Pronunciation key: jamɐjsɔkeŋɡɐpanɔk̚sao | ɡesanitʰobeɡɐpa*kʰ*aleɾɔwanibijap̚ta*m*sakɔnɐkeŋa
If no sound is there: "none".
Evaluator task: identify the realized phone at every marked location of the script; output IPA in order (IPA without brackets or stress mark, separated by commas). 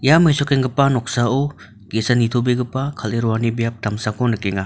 kʰ, m